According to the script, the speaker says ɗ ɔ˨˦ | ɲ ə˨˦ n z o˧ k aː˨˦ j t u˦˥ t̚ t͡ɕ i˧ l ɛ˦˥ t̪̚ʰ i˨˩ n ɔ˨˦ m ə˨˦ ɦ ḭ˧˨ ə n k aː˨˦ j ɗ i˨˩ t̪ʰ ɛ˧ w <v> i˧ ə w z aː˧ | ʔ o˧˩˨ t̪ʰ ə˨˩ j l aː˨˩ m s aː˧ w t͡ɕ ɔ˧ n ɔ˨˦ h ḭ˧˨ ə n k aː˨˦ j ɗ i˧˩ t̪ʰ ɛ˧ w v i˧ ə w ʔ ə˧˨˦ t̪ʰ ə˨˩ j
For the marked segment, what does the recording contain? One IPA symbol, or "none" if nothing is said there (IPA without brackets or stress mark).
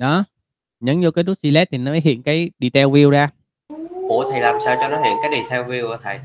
v